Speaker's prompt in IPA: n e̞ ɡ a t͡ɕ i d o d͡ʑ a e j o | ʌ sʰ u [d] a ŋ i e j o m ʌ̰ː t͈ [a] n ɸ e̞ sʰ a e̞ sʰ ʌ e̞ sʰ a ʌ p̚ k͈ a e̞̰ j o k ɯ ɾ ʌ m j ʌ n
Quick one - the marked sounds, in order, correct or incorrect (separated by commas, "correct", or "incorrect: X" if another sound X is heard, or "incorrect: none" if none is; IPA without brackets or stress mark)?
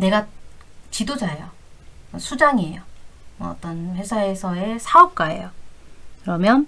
incorrect: d͡ʑ, incorrect: ʌ